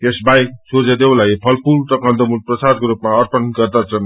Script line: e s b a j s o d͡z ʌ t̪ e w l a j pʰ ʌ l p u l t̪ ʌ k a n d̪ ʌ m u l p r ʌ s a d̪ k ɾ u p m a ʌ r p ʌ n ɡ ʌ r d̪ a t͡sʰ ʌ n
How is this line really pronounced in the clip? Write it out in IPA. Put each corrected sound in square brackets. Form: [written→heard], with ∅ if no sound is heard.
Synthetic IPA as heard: e s b a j s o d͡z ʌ [t̪→d̪] e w l a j pʰ ʌ l p u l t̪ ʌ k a n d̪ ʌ m u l p r ʌ s a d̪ k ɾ u p m a ʌ r p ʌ n ɡ ʌ r d̪ a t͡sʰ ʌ n